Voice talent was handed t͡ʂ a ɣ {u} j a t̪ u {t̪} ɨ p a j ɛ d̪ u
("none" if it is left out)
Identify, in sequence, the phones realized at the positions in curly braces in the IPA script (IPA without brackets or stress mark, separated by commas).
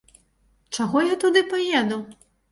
ɔ, d̪